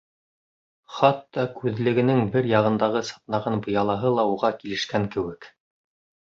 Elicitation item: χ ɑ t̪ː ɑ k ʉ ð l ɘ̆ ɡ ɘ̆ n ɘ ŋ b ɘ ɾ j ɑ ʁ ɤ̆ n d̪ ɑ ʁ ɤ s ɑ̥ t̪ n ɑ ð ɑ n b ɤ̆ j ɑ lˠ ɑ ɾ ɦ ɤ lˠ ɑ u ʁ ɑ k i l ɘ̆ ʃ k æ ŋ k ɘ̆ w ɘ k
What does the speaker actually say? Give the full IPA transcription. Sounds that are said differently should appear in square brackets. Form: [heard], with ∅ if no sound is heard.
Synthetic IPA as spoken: χ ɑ t̪ː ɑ k ʉ ð l ɘ̆ ɡ ɘ̆ n ɘ ŋ b ɘ ɾ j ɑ ʁ ɤ̆ n d̪ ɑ ʁ ɤ s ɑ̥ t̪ n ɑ [ʁ] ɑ n b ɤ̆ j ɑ lˠ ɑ [∅] ɦ ɤ lˠ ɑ u ʁ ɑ k i l ɘ̆ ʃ k æ ŋ k ɘ̆ w ɘ k